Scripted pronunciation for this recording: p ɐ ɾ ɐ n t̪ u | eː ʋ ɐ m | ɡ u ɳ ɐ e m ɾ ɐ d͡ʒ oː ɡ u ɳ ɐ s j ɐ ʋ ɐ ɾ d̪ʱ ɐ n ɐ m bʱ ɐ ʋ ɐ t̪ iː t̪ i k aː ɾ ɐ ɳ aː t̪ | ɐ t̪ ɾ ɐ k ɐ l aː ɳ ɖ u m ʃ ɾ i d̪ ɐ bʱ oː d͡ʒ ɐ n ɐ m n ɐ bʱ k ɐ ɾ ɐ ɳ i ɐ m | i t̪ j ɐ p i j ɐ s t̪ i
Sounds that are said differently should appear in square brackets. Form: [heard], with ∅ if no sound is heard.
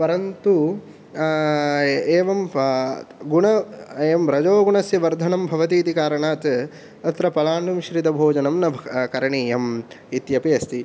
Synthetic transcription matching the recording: p ɐ ɾ ɐ n t̪ u | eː ʋ ɐ m | ɡ u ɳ ɐ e m ɾ ɐ d͡ʒ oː ɡ u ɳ ɐ s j ɐ ʋ ɐ ɾ d̪ʱ ɐ n ɐ m bʱ ɐ ʋ ɐ t̪ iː t̪ i k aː ɾ ɐ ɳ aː t̪ | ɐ t̪ ɾ ɐ [p] ɐ l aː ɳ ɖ u m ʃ ɾ i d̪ ɐ bʱ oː d͡ʒ ɐ n ɐ m n ɐ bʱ k ɐ ɾ ɐ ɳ i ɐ m | i t̪ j ɐ p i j ɐ s t̪ i